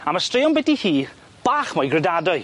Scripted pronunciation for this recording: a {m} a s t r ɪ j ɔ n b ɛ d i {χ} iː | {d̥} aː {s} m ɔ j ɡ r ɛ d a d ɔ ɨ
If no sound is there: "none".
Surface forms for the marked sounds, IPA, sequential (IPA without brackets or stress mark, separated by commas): m, h, b̥, χ